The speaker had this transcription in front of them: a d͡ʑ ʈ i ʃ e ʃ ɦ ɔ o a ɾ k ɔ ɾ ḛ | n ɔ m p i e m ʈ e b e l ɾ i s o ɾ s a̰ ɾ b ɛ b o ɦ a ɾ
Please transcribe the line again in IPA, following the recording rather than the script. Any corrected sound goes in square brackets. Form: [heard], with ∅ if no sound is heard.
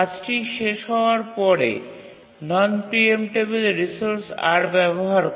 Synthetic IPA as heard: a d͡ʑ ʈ i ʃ e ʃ ɦ ɔ o a ɾ [p] ɔ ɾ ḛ | n ɔ [n] p i e m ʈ e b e l ɾ i s o ɾ s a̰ ɾ b ɛ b o ɦ a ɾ